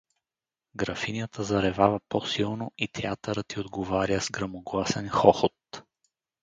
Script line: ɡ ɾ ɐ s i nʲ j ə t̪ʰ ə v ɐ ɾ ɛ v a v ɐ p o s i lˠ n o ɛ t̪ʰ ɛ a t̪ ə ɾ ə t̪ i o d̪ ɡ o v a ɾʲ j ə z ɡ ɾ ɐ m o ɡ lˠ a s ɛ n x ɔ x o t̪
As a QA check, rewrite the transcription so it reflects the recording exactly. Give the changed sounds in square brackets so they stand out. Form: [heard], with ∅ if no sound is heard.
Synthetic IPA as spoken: ɡ ɾ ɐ [f] i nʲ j ə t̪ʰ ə [z] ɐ ɾ ɛ v a v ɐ p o s i lˠ n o [i] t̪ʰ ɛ a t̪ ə ɾ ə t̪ i o d̪ ɡ o v a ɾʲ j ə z ɡ ɾ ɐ m o ɡ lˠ a s ɛ n x ɔ x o t̪